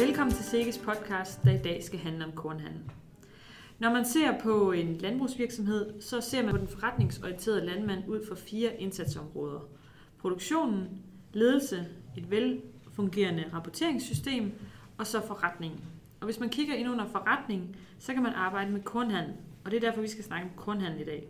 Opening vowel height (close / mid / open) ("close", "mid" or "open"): mid